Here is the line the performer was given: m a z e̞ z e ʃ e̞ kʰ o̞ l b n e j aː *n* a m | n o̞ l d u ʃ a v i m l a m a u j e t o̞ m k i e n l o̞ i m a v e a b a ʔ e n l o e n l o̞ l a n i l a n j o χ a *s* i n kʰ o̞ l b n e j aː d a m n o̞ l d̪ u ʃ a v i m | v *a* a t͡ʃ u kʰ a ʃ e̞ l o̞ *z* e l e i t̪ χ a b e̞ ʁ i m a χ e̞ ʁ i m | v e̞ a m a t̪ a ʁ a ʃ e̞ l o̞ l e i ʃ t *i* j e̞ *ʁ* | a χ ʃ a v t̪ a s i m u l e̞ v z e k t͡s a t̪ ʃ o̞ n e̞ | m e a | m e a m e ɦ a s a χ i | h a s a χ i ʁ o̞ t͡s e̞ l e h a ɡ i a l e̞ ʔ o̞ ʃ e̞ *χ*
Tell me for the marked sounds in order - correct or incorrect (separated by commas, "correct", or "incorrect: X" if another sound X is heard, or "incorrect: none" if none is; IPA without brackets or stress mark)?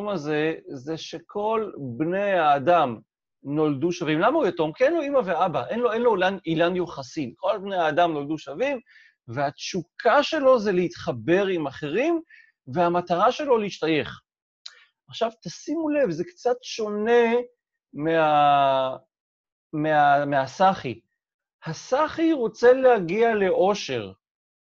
incorrect: d, correct, incorrect: e, correct, incorrect: a, incorrect: χ, incorrect: ʁ